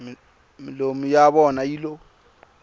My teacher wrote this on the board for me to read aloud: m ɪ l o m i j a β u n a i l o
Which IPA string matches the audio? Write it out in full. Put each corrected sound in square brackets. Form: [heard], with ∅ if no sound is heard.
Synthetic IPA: m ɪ l o m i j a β [ɔ] n a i l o